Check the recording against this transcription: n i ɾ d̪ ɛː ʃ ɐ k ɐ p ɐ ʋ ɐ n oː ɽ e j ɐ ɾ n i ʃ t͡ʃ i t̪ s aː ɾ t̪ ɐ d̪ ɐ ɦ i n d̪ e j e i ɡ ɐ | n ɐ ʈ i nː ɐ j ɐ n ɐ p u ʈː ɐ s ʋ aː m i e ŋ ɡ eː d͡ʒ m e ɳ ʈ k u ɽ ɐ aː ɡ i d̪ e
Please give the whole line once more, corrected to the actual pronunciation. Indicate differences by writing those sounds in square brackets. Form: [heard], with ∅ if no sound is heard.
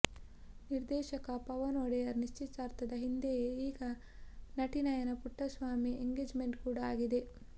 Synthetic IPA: n i ɾ d̪ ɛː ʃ ɐ k ɐ p ɐ ʋ ɐ n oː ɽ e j ɐ ɾ n i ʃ t͡ʃ i t̪ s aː ɾ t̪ ɐ d̪ ɐ ɦ i n d̪ e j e [iː] ɡ ɐ | n ɐ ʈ i [n] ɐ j ɐ n ɐ p u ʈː ɐ s ʋ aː m i e ŋ ɡ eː d͡ʒ m e ɳ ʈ k [uː] ɽ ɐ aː ɡ i d̪ e